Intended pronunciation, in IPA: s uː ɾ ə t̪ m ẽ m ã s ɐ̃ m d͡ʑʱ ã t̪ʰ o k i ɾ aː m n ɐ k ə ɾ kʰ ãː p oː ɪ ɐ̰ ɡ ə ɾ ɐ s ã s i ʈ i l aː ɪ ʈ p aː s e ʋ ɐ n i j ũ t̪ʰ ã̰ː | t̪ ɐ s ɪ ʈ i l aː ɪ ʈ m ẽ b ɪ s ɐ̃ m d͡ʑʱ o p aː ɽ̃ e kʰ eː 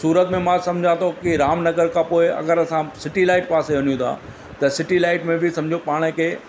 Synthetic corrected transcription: s uː ɾ ə t̪ m ẽ m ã s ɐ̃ m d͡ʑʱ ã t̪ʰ o k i ɾ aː m n ɐ ɡ ə ɾ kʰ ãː p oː ɪ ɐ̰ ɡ ə ɾ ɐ s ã s ɪ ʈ i l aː ɪ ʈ p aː s e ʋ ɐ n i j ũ t̪ʰ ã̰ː | t̪ ɐ s ɪ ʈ i l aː ɪ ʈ m ẽ b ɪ s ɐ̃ m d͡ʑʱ o p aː ɽ̃ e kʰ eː